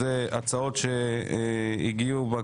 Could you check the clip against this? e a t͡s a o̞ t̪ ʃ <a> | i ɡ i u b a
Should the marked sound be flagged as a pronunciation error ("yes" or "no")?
yes